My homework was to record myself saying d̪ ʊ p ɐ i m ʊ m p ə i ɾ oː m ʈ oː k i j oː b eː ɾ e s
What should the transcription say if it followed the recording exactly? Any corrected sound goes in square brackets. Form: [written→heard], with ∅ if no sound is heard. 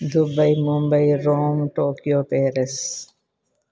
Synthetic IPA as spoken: d̪ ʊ [p→b] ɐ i m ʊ m [p→b] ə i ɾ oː m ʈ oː k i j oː [b→p] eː ɾ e s